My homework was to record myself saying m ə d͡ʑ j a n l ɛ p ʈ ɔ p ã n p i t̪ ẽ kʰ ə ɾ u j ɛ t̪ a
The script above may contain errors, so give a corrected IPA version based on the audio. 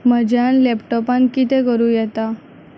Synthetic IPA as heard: m ə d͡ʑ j a n l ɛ p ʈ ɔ p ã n k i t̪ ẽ k ə ɾ u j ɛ t̪ a